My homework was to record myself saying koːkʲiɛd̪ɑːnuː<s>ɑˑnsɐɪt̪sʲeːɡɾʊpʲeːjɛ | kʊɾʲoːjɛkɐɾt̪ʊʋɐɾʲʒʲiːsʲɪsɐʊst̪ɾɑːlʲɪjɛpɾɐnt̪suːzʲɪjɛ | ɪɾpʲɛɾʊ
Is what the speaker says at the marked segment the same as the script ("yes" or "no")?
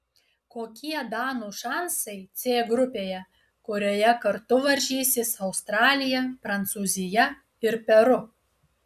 no